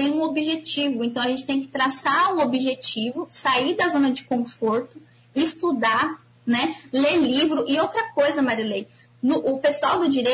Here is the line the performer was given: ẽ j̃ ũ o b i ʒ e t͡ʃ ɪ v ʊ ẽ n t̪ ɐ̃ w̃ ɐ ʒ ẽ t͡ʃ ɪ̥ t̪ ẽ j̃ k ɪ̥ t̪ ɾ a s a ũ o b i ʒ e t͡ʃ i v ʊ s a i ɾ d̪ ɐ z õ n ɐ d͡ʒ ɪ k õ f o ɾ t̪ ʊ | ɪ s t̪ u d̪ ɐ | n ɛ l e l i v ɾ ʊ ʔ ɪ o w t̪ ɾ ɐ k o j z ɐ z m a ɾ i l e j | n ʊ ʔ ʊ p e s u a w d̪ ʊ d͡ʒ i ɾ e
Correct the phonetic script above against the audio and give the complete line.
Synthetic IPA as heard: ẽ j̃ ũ o b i ʒ e t͡ʃ i v ʊ ẽ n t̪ ɐ̃ w̃ ɐ ʒ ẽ t͡ʃ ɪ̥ t̪ ẽ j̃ k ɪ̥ t̪ ɾ a s a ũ o b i ʒ e t͡ʃ i v ʊ s a i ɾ d̪ ɐ z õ n ɐ d͡ʒ ɪ k õ f o ɾ t̪ ʊ | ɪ s t̪ u d̪ a | n ɛ l e l i v ɾ ʊ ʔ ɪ o w t̪ ɾ ɐ k o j z ɐ m a ɾ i l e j | n ʊ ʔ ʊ p e s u a w d̪ ʊ d͡ʒ i ɾ e